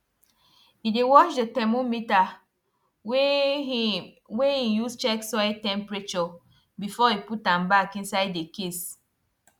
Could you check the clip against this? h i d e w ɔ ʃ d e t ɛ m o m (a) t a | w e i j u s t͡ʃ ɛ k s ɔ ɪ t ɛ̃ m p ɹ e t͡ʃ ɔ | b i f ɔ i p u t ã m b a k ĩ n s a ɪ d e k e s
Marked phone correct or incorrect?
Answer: incorrect